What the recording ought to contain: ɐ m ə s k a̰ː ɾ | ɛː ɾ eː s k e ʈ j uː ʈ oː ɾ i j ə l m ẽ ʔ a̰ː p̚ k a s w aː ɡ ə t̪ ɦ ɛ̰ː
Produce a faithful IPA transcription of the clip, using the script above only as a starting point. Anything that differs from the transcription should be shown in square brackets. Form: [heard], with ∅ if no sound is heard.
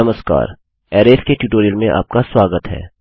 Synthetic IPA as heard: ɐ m ə s k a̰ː ɾ | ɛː ɾ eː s k e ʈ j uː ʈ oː ɾ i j ə l m ẽ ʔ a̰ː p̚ k a s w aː ɡ ə t̪ ɦ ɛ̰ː